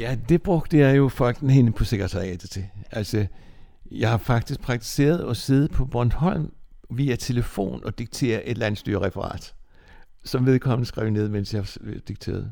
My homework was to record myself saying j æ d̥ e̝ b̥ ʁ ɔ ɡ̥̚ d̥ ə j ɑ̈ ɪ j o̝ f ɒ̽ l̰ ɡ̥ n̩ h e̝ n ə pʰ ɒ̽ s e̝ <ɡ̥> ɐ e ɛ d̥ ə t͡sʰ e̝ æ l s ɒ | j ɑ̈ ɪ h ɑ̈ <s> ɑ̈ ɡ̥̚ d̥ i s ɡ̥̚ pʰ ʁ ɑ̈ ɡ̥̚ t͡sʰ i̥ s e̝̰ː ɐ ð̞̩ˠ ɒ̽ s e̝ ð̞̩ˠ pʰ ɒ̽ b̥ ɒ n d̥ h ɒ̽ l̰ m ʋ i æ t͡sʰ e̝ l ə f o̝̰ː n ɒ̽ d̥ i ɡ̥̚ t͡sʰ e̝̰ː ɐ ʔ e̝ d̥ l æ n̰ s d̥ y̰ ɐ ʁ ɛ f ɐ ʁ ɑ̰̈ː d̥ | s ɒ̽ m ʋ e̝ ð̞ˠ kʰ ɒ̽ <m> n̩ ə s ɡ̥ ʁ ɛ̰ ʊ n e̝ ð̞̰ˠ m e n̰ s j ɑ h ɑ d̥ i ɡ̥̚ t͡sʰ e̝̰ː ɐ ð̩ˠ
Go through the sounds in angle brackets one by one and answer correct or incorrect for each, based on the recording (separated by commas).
correct, incorrect, correct